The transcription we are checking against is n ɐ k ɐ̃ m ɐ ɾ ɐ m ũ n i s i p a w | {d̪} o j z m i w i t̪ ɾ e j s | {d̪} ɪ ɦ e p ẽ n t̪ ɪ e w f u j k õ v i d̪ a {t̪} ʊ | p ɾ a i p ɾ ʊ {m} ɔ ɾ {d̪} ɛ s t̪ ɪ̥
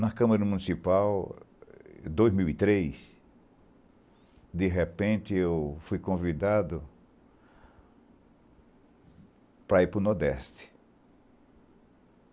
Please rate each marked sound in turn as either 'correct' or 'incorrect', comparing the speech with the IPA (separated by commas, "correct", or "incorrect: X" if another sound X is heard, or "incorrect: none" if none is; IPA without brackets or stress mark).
correct, correct, incorrect: d̪, incorrect: n, correct